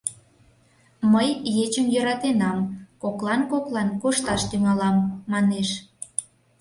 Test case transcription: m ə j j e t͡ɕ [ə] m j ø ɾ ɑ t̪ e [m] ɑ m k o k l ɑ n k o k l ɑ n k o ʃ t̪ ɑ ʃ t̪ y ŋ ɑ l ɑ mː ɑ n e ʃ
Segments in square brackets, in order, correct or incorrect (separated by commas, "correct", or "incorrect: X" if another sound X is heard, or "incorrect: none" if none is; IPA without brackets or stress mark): correct, incorrect: n